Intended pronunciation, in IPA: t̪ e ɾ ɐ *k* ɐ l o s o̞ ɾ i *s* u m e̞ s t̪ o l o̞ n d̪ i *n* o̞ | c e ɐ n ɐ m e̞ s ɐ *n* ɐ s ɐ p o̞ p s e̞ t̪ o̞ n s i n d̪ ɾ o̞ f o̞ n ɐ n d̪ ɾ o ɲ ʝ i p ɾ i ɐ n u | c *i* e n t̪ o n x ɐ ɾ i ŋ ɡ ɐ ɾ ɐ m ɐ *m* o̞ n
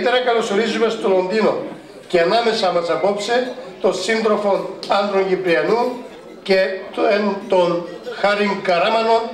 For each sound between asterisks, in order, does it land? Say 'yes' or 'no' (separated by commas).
yes, no, yes, no, no, no